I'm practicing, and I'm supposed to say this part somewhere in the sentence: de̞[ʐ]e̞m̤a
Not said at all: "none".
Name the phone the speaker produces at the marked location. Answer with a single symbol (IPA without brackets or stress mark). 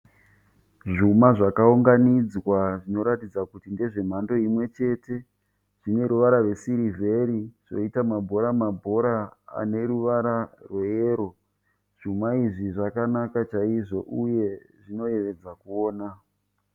ʐ